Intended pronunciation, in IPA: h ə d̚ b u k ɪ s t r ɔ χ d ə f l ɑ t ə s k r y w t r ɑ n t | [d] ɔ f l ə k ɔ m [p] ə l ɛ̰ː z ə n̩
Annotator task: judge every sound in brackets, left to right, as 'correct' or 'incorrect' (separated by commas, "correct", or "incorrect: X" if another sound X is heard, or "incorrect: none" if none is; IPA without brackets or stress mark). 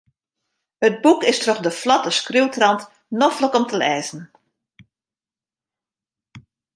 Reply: incorrect: n, incorrect: t